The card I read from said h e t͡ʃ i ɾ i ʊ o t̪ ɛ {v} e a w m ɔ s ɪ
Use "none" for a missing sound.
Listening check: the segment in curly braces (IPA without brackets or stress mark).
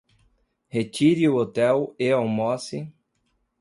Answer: w